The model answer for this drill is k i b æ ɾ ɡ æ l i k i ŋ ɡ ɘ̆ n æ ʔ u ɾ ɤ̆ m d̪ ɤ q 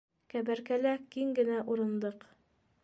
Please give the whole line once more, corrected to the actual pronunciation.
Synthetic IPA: k æ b æ ɾ k æ l æ k i ŋ ɡ ɘ̆ n æ ʔ u ɾ ɤ̆ n d̪ ɤ q